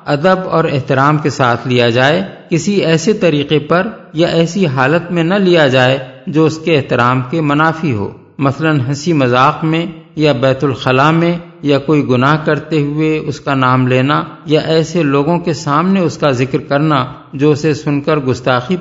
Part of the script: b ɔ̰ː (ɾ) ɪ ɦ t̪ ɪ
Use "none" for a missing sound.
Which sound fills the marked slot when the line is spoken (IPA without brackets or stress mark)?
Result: ɾ